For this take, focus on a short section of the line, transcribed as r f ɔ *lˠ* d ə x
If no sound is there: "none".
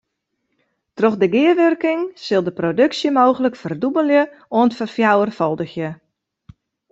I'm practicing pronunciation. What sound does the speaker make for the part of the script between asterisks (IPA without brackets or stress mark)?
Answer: lˠ